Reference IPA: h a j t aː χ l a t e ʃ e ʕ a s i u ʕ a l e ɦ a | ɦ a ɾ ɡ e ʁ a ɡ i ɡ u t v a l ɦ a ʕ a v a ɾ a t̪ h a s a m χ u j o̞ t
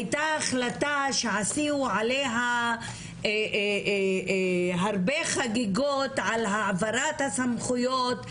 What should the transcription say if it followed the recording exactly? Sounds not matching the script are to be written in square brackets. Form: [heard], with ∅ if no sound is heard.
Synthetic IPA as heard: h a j t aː χ l a t [a] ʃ e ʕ a s i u ʕ a l e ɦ a | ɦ a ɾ [b] e [χ] a ɡ i ɡ [o] t [ʕ] a l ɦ a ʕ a v a ɾ a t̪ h a s a m χ u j o̞ t